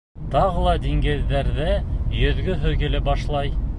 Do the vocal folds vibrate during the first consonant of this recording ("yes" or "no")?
no